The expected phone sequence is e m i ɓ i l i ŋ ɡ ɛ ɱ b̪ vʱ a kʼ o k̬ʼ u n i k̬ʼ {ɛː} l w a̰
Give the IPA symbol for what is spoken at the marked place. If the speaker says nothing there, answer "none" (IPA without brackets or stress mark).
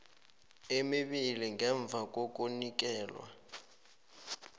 ɛː